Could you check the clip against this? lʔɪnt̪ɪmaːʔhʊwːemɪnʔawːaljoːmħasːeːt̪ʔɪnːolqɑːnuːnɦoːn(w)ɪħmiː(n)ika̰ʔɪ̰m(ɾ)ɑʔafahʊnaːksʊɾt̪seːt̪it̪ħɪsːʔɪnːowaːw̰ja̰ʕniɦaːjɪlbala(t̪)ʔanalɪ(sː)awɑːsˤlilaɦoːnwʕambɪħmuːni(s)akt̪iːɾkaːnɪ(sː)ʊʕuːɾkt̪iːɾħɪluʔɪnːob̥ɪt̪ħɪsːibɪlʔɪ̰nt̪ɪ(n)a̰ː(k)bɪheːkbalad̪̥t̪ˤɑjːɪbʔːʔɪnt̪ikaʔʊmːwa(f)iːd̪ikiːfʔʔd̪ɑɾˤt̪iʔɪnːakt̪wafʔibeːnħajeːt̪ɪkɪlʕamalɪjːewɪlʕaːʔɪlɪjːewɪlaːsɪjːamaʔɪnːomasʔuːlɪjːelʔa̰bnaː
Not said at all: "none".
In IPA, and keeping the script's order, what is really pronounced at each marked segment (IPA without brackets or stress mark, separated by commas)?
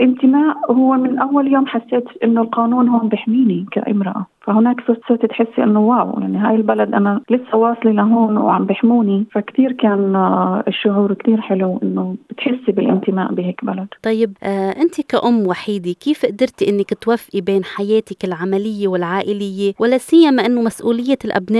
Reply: b, n, ɾ, d̪, sː, f, ʃː, m, ʔ, ħ